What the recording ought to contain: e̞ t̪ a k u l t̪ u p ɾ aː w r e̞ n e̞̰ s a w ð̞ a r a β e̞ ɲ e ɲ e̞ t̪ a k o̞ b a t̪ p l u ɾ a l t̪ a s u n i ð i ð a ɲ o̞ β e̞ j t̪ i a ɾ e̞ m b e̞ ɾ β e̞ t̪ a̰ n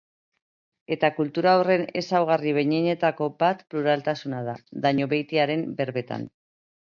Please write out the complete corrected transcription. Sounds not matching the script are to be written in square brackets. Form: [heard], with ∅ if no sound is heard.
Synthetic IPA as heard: e̞ t̪ a k u l t̪ u [∅] ɾ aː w r e̞ n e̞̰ s a w [ɣ̞] a r [i] β e̞ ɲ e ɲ e̞ t̪ a k o̞ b a t̪ p l u ɾ a l t̪ a s u n [a] ð [a] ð a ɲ o̞ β e̞ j t̪ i a ɾ e̞ m b e̞ ɾ β e̞ t̪ a̰ n

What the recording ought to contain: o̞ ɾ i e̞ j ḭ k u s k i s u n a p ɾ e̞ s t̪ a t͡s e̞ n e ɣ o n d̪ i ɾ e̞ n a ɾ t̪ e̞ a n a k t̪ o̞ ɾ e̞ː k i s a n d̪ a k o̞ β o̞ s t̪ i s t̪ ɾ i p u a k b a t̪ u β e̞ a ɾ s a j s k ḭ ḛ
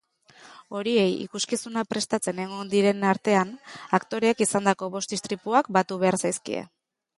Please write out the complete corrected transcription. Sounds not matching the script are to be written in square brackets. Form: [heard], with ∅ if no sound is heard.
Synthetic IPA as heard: o̞ ɾ i e̞ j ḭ k u s k i s u n a p ɾ e̞ s t̪ a t͡s e̞ n e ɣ o n d̪ i ɾ e̞ n a ɾ t̪ e̞ a n a k t̪ o̞ ɾ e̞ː k i s a n d̪ a k o̞ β o̞ s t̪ i s t̪ ɾ i p u a k b a t̪ u β e̞ a ɾ s a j s k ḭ ḛ

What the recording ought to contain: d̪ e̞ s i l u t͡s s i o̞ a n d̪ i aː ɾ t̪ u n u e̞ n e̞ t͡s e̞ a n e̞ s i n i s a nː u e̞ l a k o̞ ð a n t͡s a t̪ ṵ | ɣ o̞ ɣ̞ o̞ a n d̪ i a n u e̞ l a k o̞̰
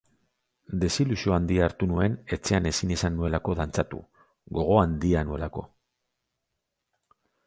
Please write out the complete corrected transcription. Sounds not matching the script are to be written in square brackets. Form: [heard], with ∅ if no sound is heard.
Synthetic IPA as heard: d̪ e̞ s i l u [∅] s i o̞ a n d̪ i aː ɾ t̪ u n u e̞ n e̞ t͡s e̞ a n e̞ s i n i s a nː u e̞ l a k o̞ ð a n t͡s a t̪ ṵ | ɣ o̞ ɣ̞ o̞ a n d̪ i a n u e̞ l a k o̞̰

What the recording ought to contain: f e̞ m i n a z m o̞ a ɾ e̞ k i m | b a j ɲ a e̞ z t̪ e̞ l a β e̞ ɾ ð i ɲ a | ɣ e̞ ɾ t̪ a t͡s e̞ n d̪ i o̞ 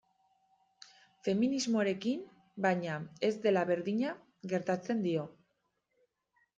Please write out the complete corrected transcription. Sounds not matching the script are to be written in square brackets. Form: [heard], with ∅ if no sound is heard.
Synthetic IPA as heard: f e̞ m i n [i] z m o̞ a ɾ e̞ k i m | b a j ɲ a e̞ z [d̪] e̞ l a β e̞ ɾ ð i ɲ a | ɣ e̞ ɾ t̪ a t͡s e̞ n d̪ i o̞

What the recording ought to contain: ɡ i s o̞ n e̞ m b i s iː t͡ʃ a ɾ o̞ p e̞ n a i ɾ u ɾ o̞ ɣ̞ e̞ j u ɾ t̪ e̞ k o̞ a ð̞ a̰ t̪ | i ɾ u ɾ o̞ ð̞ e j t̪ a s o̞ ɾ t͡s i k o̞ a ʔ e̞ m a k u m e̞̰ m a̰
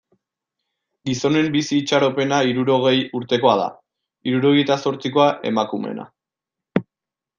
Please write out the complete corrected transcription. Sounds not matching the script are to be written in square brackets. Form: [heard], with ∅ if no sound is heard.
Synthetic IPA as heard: ɡ i s o̞ n e̞ m b i s iː t͡ʃ a ɾ o̞ p e̞ n a i ɾ u ɾ o̞ ɣ̞ e̞ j u ɾ t̪ e̞ k o̞ a ð̞ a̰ [∅] | i ɾ u ɾ o̞ [ɣ̞] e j t̪ a s o̞ ɾ t͡s i k o̞ a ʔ e̞ m a k u m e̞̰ [n] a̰

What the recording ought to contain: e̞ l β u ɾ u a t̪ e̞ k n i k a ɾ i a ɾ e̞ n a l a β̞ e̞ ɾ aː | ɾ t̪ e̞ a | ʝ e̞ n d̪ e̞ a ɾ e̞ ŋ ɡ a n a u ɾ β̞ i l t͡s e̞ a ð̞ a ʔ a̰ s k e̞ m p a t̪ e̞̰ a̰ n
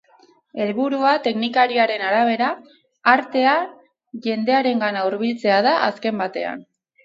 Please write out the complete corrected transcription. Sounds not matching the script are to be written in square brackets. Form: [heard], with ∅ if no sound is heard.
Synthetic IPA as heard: e̞ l β u ɾ u a t̪ e̞ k n i k a ɾ i a ɾ e̞ n a [ɾ] a β̞ e̞ ɾ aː | ɾ t̪ e̞ a | ʝ e̞ n d̪ e̞ a ɾ e̞ ŋ ɡ a n a u ɾ β̞ i l t͡s e̞ a ð̞ a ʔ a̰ s k e̞ m [b] a t̪ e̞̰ a̰ n

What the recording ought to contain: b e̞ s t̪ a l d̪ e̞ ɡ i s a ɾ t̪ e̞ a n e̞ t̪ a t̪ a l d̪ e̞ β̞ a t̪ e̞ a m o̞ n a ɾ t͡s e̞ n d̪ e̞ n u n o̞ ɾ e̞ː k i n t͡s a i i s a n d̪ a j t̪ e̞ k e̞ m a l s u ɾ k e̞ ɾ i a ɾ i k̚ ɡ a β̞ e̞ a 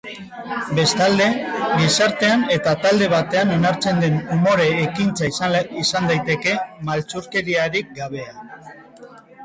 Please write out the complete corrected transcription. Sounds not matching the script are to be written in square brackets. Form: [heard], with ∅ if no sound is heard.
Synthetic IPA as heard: b e̞ s t̪ a l d̪ e̞ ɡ i s a ɾ t̪ e̞ a n e̞ t̪ a t̪ a l d̪ e̞ β̞ a t̪ e̞ a [n] o̞ n a ɾ t͡s e̞ n d̪ e̞ n u [m] o̞ ɾ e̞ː k i n t͡s a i i s a n d̪ a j t̪ e̞ k e̞ m a l [t͡s] u ɾ k e̞ ɾ i a ɾ i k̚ ɡ a β̞ e̞ a

